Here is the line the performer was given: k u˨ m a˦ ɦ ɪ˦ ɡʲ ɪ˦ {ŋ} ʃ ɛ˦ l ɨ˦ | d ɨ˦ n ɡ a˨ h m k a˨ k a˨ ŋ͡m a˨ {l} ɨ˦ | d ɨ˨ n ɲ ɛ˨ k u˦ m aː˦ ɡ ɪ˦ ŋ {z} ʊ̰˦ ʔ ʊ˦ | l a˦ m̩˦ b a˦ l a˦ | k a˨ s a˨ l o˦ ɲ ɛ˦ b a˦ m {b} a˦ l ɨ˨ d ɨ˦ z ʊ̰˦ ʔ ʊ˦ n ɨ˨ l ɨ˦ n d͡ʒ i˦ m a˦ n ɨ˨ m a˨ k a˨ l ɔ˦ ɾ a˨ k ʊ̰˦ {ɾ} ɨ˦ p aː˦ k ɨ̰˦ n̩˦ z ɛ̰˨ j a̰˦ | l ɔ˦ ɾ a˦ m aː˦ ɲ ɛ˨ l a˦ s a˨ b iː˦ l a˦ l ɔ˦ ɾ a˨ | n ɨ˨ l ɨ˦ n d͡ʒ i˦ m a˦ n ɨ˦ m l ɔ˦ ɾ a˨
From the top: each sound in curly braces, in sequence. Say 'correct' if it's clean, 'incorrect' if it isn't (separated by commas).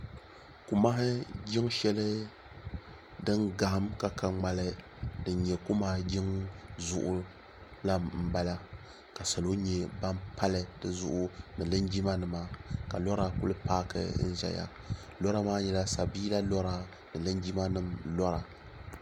correct, correct, correct, incorrect, incorrect